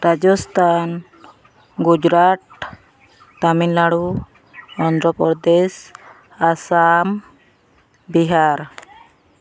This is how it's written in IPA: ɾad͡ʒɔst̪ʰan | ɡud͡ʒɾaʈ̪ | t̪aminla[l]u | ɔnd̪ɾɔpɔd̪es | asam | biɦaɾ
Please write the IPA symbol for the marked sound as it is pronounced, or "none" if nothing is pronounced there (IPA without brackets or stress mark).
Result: ɽ